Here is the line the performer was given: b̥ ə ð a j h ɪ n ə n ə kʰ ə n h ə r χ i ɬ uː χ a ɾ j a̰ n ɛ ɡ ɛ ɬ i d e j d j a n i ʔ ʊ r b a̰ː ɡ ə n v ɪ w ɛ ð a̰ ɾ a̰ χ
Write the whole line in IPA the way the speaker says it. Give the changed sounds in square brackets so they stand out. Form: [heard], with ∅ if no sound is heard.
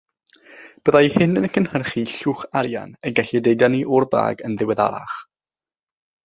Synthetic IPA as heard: b̥ ə ð a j h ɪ n ə n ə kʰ ə n h ə r χ i ɬ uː χ a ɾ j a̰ n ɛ ɡ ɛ ɬ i d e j d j a n i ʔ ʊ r b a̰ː ɡ ə n [ð] ɪ w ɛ ð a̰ ɾ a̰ χ